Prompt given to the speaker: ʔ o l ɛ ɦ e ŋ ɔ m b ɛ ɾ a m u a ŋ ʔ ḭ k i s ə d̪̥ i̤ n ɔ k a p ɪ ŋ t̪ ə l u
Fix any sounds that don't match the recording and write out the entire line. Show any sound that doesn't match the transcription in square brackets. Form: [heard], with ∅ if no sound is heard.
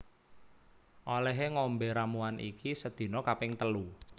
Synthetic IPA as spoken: ʔ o l ɛ ɦ e ŋ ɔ m b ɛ ɾ a m u a [n] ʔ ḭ k i s ə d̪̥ i̤ n ɔ k a p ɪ ŋ t̪ ə l u